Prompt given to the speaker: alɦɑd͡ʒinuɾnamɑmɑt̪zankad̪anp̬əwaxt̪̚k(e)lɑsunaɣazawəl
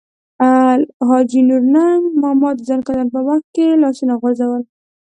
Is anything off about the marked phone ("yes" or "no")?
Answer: no